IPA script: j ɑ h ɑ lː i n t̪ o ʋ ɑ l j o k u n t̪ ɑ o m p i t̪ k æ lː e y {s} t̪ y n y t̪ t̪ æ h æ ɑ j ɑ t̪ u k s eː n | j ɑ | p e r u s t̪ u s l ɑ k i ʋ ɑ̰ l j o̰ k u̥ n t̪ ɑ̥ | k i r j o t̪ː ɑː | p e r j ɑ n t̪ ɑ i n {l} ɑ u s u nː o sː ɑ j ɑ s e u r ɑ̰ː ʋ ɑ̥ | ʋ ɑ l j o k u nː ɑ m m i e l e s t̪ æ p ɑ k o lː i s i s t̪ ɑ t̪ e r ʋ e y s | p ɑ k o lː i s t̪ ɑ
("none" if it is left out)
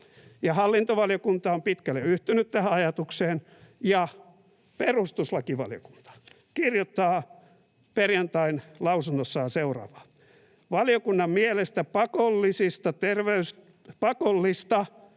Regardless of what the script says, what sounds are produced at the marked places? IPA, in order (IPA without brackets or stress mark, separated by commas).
h, l